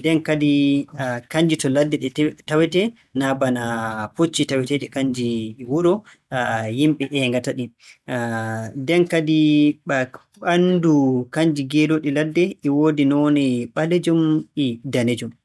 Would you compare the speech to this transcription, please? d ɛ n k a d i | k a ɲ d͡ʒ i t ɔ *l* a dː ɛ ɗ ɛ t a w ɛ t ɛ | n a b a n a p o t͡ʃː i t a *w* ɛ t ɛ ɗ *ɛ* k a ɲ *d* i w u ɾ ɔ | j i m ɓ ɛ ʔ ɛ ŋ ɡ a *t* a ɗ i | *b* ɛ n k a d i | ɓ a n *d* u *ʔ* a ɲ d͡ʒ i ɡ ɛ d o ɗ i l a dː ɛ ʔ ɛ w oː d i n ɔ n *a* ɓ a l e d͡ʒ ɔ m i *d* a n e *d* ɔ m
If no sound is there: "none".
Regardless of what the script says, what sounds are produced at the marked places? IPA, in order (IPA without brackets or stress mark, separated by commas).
l, w, ɛ, d͡ʒ, t, d, d, k, ɛ, d, d͡ʒ